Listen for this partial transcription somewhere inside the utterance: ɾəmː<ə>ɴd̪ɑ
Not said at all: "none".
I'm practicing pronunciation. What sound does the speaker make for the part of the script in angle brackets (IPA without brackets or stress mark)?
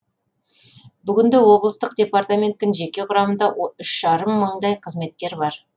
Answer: ə